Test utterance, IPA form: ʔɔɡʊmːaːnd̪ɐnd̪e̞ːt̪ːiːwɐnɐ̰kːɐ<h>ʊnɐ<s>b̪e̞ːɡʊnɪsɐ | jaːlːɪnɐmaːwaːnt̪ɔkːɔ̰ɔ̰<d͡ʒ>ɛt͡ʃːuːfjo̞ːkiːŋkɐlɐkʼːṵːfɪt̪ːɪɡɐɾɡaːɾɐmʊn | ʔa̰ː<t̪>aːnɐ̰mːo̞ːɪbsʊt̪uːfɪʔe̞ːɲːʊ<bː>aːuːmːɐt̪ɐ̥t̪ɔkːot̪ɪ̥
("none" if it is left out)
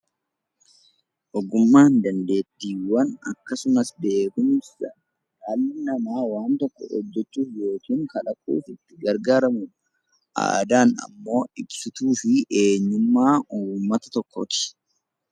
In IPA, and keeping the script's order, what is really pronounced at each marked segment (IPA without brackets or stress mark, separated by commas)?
s, s, d͡ʒː, d̪, mː